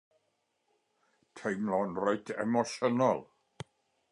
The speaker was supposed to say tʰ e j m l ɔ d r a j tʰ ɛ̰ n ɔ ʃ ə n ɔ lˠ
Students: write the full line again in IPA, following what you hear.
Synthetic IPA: tʰ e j m l ɔ n r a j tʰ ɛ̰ m ɔ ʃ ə n ɔ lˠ